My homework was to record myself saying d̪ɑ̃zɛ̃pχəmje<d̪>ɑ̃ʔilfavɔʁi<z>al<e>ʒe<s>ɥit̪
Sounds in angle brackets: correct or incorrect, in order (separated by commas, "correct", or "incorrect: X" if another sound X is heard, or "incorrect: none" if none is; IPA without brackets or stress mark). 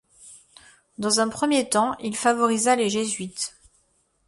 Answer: incorrect: t̪, correct, correct, incorrect: z